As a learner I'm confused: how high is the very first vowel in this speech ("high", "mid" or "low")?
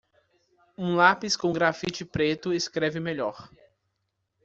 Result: high